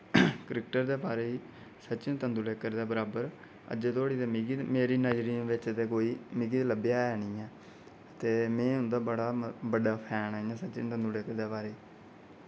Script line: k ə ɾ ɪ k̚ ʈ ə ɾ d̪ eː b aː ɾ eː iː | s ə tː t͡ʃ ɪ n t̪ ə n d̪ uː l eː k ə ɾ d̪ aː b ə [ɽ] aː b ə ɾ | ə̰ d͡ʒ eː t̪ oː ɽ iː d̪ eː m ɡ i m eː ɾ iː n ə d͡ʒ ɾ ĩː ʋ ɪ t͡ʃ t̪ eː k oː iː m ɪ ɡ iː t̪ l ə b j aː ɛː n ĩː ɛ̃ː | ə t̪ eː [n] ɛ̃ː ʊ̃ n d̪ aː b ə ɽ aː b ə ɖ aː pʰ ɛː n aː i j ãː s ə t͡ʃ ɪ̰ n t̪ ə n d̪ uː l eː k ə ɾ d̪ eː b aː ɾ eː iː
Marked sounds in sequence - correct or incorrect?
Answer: incorrect: ɾ, incorrect: m

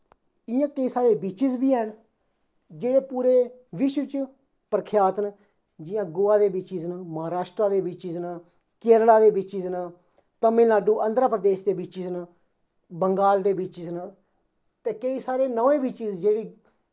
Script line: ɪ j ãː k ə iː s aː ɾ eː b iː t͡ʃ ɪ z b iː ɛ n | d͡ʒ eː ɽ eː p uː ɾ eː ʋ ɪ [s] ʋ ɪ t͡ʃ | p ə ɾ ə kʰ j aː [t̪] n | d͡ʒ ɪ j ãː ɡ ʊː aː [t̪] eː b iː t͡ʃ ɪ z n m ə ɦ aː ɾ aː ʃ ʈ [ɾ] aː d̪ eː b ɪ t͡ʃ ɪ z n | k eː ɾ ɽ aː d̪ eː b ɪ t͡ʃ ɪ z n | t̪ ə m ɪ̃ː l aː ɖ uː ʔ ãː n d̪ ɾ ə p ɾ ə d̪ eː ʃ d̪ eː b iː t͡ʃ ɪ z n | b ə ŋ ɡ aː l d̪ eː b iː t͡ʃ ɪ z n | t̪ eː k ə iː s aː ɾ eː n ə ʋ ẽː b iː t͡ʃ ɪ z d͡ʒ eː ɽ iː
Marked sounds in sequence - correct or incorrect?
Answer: incorrect: ʃ, correct, incorrect: d̪, correct

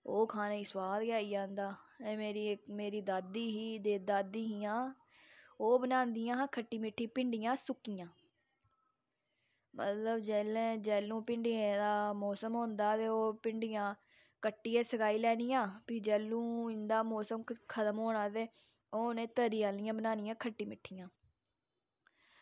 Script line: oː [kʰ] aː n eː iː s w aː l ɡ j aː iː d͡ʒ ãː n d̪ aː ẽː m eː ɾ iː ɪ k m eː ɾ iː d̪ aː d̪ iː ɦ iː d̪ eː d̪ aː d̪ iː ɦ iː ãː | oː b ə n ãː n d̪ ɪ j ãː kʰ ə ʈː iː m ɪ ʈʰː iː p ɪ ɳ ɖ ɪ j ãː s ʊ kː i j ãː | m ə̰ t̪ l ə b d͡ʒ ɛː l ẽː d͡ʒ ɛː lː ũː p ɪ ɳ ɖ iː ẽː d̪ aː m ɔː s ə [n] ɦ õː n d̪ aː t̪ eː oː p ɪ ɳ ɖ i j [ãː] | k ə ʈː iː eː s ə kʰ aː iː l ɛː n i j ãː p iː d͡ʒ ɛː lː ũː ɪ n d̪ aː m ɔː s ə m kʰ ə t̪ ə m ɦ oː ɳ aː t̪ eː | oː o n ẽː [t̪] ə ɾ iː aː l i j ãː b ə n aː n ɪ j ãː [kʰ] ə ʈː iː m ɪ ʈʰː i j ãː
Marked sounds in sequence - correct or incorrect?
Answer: correct, incorrect: m, correct, correct, correct

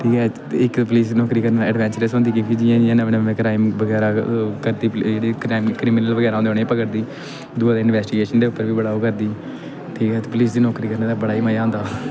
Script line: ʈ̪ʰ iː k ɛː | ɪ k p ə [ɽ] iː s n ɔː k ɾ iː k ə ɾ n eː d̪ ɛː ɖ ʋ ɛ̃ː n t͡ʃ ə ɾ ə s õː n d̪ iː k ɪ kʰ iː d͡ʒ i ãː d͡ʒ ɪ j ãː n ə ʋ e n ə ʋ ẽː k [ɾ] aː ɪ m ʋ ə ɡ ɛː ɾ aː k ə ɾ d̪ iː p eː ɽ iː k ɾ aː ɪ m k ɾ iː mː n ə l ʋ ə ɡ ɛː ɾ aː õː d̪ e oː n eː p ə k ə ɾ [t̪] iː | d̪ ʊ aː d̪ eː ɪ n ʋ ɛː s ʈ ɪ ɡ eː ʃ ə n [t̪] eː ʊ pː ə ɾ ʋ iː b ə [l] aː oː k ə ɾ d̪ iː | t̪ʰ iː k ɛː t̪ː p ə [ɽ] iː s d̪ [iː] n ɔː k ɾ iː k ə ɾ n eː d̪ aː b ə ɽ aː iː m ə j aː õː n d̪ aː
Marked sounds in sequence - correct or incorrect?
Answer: incorrect: l, correct, incorrect: d̪, incorrect: d̪, incorrect: ɽ, incorrect: l, correct

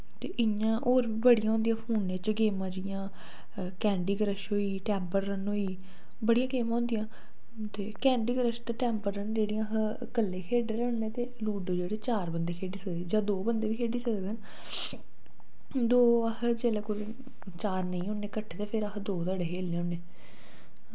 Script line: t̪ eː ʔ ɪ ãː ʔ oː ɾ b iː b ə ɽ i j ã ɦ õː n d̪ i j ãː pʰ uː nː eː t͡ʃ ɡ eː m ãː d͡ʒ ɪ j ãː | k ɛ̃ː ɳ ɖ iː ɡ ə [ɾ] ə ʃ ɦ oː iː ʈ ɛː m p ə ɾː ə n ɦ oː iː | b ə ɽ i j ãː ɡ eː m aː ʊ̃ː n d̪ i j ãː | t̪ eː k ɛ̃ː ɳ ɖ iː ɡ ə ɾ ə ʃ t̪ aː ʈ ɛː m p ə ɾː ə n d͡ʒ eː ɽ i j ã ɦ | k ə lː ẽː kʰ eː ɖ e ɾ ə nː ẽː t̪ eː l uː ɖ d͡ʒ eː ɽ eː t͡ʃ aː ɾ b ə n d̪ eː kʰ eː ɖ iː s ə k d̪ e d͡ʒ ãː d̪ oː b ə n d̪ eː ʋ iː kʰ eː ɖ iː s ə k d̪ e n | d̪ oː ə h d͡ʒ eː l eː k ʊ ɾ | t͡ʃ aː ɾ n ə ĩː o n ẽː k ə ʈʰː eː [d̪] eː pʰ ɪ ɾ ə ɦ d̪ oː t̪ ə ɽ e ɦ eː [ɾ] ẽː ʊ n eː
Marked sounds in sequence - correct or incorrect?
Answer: correct, incorrect: t̪, incorrect: l

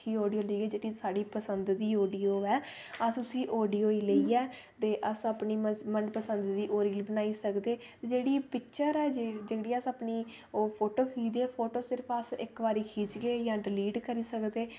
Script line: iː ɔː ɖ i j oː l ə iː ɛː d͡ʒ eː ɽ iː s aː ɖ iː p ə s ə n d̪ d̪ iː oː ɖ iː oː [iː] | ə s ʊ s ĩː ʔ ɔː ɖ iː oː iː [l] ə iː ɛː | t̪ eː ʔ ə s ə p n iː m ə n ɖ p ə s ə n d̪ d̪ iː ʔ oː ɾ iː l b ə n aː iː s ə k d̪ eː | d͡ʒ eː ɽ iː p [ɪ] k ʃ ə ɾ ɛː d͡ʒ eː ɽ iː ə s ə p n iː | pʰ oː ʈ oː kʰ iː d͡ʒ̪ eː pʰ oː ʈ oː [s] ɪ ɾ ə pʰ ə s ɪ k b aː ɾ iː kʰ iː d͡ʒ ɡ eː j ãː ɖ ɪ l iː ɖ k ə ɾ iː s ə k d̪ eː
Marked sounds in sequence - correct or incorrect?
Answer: incorrect: ɛː, correct, correct, correct

